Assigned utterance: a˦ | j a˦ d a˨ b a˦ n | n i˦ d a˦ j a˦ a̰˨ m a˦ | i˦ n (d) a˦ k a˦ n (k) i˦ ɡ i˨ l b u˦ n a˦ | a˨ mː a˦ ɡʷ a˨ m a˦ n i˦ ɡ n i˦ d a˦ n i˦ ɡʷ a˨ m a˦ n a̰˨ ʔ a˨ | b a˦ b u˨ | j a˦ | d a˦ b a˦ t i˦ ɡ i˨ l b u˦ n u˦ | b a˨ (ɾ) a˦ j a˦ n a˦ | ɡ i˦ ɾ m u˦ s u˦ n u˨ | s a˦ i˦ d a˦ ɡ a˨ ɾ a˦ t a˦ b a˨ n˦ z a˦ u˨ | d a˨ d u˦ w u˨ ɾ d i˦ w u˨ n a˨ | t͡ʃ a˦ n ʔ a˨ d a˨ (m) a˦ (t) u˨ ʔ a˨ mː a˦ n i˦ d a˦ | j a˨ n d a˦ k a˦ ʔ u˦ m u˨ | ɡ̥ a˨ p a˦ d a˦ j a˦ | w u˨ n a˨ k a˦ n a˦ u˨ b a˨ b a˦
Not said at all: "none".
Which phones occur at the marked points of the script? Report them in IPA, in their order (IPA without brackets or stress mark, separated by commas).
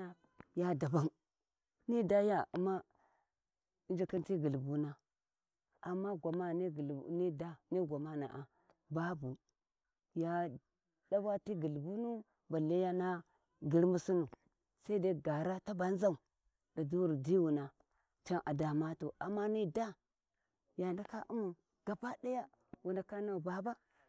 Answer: d͡ʒ, t, l, m, t